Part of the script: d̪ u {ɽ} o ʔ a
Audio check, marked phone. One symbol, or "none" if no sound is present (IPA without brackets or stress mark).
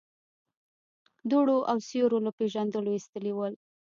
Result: ɽ